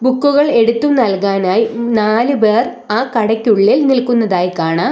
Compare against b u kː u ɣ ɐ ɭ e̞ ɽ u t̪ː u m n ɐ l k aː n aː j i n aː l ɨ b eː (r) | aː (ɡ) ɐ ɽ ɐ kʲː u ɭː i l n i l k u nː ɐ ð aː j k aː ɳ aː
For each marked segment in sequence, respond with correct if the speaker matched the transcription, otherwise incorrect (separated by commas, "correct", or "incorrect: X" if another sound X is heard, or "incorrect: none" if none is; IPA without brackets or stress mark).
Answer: correct, incorrect: k